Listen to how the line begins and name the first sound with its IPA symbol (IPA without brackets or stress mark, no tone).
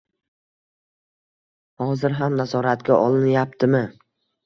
h